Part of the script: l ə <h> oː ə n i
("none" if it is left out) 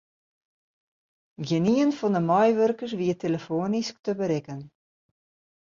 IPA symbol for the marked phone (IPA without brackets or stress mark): f